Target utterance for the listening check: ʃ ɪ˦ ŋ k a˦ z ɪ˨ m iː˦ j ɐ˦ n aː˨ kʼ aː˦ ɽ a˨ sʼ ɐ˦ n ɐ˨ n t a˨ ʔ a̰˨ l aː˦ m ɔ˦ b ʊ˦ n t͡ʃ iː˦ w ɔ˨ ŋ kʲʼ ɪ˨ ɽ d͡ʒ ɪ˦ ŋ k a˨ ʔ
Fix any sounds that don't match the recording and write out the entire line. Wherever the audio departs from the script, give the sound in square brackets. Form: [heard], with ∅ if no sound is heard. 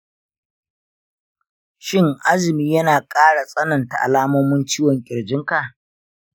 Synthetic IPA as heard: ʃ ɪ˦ ŋ [ʔ] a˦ z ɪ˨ m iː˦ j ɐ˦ n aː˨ kʼ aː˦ ɽ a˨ sʼ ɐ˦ n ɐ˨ n t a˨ ʔ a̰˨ l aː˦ m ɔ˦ [m] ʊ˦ n t͡ʃ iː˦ w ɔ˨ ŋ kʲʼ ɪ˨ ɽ d͡ʒ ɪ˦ ŋ k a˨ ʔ